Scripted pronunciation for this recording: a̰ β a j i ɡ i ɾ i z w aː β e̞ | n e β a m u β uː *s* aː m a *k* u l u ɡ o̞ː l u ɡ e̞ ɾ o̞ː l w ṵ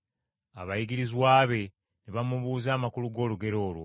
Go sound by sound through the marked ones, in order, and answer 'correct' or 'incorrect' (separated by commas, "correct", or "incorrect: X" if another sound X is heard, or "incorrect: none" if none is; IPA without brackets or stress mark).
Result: incorrect: z, correct